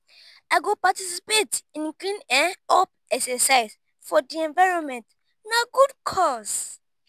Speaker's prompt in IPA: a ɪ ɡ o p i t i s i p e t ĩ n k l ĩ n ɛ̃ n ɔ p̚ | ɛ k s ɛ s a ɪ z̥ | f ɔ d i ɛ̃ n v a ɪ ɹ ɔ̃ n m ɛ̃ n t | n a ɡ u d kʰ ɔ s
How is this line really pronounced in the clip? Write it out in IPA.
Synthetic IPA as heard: a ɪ ɡ o p a t i s i p e t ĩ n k l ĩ n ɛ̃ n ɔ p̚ | ɛ k s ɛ s a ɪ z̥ | f ɔ d i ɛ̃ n v a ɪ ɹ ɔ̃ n m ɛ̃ n t | n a ɡ u d kʰ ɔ s